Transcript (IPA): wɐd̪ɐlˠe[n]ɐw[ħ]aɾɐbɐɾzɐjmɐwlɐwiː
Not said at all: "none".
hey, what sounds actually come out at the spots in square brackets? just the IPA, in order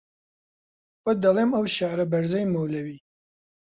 m, ʃ

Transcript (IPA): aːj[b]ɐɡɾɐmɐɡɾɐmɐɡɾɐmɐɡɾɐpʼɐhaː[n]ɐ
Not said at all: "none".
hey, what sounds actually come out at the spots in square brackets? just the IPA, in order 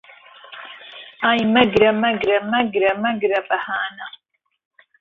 m, n

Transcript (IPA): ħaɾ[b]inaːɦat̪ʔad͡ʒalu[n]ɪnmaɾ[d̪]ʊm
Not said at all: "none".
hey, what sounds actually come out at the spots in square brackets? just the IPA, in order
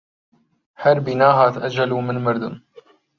b, m, d̪

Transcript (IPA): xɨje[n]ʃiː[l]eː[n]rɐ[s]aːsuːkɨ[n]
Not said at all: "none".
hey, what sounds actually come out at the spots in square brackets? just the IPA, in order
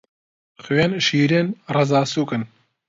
n, ɾ, n, z, n

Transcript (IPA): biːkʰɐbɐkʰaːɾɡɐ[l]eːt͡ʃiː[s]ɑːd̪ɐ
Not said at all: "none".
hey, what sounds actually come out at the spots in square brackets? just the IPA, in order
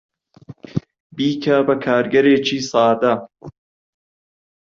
ɾ, s

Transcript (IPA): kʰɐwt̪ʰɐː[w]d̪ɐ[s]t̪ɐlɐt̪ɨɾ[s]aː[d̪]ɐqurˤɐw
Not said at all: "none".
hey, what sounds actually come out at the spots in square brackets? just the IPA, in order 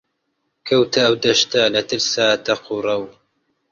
w, ʃ, s, t̪

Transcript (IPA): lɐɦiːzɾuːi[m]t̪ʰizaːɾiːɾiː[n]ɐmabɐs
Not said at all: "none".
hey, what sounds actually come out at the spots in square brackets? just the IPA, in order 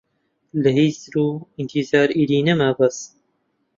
n, n

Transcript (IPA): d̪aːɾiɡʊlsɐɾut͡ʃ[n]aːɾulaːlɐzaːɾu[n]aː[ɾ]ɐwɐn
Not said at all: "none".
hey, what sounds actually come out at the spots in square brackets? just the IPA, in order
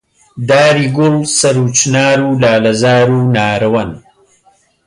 n, n, ɾ

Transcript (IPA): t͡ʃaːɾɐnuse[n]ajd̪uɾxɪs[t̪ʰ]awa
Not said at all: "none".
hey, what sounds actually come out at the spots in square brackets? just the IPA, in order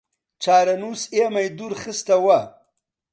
m, t̪

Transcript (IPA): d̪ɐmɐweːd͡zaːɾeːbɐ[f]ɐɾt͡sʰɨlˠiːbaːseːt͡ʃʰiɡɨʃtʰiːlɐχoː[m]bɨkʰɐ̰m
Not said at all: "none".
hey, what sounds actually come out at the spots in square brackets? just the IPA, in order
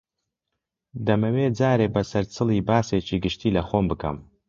s, m

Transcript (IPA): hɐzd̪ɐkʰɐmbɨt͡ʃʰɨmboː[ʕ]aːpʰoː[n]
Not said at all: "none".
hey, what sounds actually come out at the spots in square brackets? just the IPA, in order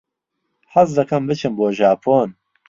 ʒ, n

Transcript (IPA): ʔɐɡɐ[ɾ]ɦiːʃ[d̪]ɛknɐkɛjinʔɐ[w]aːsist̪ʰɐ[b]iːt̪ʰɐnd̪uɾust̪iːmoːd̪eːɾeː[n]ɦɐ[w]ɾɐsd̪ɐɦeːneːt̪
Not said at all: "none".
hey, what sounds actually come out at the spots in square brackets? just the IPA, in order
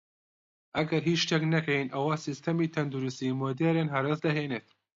ɾ, t̪, w, m, n, none

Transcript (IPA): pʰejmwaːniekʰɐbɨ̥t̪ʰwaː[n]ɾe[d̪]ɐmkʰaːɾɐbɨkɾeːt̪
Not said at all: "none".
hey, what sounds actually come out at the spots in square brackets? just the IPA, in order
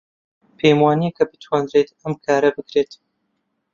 n, t̪

